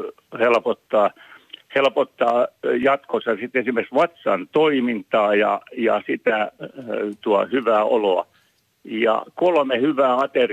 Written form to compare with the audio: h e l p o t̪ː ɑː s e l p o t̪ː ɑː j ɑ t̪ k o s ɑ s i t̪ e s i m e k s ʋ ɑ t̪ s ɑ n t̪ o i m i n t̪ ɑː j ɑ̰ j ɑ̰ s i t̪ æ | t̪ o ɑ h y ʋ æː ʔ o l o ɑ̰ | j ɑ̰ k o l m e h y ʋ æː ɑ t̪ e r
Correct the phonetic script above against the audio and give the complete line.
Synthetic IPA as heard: h e l p o t̪ː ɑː h e l p o t̪ː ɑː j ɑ t̪ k o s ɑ s i t̪ e s i m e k s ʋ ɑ t̪ s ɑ n t̪ o i m i n t̪ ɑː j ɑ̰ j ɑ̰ s i t̪ æ | t̪ u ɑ h y ʋ æː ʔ o l o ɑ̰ | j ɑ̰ k o l m e h y ʋ æː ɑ t̪ e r